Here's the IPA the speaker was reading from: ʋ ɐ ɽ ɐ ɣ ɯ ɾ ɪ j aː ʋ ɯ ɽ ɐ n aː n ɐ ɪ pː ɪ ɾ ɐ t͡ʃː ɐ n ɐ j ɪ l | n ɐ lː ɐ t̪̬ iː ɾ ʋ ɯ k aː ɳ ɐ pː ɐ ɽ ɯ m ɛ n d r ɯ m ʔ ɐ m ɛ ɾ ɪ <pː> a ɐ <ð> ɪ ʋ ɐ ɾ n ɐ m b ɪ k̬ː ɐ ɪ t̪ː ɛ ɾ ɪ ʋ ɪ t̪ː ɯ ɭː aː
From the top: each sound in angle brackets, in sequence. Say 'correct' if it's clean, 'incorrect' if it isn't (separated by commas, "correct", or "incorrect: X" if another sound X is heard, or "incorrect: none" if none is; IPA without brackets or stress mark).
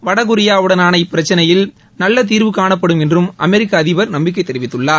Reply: incorrect: kː, correct